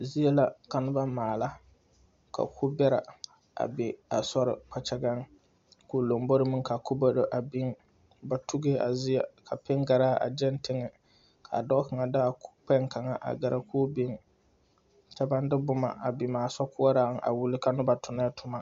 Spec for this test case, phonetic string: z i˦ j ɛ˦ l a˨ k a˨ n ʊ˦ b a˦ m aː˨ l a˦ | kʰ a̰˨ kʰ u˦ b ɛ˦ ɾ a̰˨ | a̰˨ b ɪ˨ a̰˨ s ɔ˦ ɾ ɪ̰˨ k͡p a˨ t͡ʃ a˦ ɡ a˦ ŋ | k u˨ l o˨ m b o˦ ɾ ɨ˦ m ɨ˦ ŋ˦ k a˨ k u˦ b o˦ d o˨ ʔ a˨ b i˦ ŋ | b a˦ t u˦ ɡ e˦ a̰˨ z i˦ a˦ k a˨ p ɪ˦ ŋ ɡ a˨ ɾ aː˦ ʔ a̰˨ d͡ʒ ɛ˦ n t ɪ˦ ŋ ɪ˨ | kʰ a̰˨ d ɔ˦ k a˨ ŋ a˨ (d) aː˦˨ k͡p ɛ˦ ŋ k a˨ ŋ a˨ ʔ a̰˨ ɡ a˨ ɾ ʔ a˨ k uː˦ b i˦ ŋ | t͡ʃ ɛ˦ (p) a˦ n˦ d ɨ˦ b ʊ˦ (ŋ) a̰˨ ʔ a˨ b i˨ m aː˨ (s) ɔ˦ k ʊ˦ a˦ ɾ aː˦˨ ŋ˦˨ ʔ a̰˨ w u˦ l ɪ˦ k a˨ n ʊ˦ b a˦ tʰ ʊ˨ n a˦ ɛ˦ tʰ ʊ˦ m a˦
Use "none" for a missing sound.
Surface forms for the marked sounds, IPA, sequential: d, b, m, s

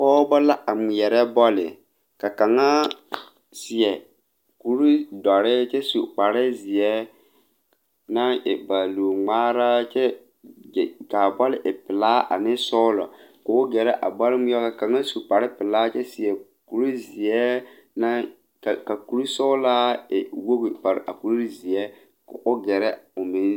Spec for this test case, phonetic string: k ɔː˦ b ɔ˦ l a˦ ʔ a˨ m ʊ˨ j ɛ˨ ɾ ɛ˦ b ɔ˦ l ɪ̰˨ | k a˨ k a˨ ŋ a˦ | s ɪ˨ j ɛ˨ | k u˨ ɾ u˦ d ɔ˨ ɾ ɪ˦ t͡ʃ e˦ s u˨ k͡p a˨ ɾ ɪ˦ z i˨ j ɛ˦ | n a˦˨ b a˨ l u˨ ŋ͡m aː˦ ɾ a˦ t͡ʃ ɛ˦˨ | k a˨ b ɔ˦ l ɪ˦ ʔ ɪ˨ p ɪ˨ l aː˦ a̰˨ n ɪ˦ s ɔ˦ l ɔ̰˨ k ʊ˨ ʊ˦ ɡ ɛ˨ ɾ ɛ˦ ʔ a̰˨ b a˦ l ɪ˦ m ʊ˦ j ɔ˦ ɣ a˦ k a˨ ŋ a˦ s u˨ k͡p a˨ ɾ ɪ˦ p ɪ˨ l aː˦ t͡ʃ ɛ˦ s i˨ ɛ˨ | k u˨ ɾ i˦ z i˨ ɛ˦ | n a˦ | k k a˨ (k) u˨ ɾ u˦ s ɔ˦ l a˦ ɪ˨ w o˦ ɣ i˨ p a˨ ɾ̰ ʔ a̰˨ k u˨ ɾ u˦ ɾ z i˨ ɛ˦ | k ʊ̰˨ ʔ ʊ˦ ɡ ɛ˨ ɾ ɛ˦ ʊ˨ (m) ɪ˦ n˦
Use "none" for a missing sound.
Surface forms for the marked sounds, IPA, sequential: k, m

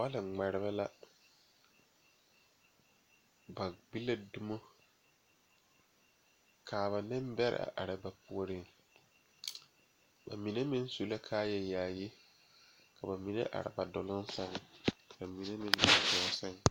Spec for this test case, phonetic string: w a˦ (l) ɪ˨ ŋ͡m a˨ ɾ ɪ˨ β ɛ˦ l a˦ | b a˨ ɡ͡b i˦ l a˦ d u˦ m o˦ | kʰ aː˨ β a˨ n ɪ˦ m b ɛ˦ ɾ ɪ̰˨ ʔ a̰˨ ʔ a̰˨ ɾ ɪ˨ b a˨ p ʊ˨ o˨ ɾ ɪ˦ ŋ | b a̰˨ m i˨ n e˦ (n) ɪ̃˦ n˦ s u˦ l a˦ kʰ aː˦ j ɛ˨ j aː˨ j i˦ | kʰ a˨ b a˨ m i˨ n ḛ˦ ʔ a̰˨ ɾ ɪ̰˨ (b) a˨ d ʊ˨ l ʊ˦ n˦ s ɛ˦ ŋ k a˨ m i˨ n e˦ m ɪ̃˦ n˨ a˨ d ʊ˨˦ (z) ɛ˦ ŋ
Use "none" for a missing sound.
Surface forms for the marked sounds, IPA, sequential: l, m, b, s

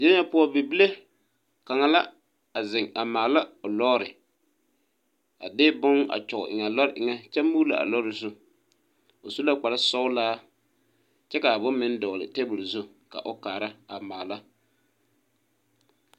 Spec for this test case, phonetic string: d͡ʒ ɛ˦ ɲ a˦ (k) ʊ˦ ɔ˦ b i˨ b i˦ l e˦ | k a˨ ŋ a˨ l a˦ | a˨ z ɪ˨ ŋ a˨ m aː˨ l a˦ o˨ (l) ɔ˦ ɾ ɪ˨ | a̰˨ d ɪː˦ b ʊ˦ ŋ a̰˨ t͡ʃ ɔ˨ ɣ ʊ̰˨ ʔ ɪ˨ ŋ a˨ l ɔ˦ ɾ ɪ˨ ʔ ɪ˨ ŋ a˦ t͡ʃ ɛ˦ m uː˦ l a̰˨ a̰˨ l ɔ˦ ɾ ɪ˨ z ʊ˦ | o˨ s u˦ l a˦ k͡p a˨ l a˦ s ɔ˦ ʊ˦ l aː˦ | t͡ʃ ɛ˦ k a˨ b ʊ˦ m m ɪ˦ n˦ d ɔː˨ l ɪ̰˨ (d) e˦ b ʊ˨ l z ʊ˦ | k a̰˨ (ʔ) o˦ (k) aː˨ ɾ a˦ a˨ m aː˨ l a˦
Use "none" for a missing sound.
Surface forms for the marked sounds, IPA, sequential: p, l, t, ʔ, k

